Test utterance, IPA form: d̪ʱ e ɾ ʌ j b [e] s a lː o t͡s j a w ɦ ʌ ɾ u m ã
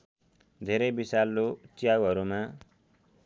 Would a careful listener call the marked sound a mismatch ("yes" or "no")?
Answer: yes